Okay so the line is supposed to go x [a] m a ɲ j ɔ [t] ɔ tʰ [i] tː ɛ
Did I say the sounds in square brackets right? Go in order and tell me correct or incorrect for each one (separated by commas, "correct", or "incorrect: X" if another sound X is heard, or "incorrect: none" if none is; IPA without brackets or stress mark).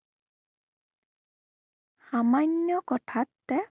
correct, incorrect: k, incorrect: a